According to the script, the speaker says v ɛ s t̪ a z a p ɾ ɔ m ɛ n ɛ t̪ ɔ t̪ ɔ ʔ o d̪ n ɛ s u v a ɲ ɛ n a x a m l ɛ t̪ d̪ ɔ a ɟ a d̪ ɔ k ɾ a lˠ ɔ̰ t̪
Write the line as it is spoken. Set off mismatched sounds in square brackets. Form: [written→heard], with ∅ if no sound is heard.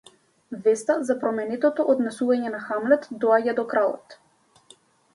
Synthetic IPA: v ɛ s t̪ a z a p ɾ ɔ m ɛ n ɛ t̪ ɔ t̪ ɔ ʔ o d̪ n ɛ s u v a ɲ ɛ n a x a m l ɛ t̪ d̪ ɔ a ɟ a d̪ ɔ k ɾ a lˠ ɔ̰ t̪